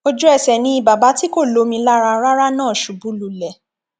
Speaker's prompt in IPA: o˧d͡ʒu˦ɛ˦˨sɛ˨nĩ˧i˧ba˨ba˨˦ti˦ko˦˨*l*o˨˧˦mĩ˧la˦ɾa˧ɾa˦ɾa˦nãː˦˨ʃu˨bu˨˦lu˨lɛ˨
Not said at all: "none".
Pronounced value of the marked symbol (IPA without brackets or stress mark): l